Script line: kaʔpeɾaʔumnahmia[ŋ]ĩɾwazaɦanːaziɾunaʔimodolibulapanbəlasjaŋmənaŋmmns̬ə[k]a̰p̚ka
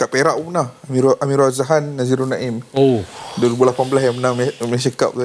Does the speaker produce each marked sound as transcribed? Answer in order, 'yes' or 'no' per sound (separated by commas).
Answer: no, yes